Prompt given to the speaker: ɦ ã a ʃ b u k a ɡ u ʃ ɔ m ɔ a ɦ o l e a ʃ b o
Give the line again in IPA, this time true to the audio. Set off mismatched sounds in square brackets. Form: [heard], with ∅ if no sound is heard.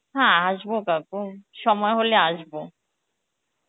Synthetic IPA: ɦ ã a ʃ b [o] k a [k] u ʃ ɔ m ɔ [e] ɦ o l e a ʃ b o